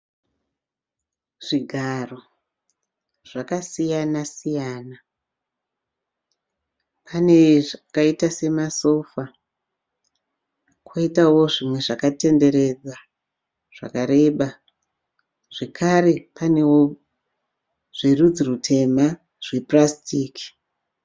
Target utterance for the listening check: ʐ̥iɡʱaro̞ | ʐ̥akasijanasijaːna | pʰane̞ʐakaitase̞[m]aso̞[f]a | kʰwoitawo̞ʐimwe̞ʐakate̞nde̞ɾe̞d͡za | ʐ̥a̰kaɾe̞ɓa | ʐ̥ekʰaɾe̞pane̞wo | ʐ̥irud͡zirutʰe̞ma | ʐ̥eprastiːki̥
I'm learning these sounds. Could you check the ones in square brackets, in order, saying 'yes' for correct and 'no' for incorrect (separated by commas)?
yes, yes